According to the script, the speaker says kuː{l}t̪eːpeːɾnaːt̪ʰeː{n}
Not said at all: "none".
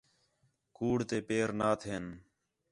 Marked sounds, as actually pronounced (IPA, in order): ɽ, n

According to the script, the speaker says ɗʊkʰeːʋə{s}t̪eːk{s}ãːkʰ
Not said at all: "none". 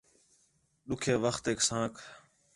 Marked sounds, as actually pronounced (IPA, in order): x, s

